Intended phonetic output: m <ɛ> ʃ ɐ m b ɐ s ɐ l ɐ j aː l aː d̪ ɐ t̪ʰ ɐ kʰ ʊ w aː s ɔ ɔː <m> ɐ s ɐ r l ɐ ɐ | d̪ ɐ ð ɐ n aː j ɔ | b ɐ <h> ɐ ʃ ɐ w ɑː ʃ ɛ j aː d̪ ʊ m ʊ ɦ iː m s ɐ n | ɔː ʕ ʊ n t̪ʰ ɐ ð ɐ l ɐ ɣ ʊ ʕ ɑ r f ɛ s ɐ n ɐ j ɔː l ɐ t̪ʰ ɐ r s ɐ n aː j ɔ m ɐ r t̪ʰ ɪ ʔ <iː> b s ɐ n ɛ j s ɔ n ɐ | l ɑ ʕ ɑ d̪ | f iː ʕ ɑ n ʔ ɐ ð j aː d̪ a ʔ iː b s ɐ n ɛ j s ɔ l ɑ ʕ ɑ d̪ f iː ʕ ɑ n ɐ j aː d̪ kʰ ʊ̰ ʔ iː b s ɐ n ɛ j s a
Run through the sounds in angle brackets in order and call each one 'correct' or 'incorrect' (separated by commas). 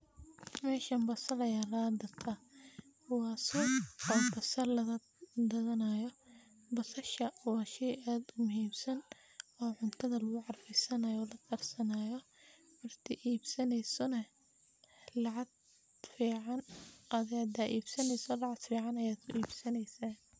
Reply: incorrect, incorrect, incorrect, correct